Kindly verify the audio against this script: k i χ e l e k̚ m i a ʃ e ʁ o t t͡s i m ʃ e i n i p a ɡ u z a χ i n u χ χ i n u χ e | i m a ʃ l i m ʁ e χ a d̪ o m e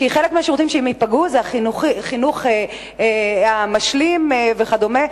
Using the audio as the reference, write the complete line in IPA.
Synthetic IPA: k i χ e l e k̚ m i a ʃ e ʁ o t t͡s i m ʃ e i m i p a ɡ u z a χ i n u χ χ i n u χ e | a m a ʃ l i m v e χ a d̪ o m e